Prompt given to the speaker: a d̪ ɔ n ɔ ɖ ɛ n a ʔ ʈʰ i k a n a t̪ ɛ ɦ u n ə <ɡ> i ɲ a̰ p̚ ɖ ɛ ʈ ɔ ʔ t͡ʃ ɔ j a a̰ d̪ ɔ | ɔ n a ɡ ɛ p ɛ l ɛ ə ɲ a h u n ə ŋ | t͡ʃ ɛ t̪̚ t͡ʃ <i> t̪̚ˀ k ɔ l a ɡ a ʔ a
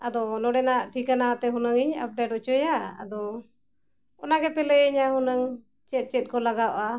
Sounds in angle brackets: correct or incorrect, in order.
incorrect: ŋ, incorrect: ɛ

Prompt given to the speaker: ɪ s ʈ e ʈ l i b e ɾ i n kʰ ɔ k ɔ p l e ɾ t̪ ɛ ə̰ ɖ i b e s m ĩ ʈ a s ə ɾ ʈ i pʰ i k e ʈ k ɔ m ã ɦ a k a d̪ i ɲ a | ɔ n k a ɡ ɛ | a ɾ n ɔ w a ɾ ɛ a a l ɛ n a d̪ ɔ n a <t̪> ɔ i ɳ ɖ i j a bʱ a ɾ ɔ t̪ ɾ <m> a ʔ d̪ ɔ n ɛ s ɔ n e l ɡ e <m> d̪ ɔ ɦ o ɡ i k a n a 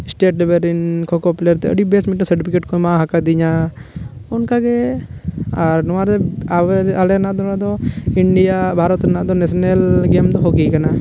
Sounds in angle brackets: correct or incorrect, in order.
incorrect: d̪, incorrect: n, correct

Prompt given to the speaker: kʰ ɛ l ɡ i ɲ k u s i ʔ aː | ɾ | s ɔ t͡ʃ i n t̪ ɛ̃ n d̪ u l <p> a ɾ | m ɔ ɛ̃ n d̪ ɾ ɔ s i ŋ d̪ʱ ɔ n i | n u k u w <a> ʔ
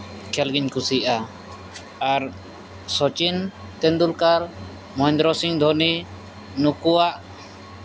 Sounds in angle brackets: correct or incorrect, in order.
incorrect: k, correct

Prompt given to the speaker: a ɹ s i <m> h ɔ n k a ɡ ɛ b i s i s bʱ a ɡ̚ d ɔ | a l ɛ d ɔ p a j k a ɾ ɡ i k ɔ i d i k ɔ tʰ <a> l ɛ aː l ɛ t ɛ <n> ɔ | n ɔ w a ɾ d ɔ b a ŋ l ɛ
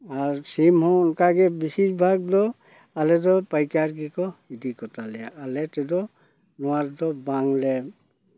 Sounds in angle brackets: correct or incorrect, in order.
correct, correct, incorrect: d

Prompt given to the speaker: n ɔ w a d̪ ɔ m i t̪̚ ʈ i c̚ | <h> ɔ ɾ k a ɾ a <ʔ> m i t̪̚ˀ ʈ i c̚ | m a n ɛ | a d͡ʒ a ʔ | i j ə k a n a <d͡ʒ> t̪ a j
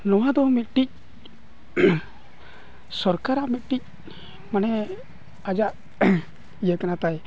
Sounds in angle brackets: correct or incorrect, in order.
incorrect: s, correct, incorrect: none

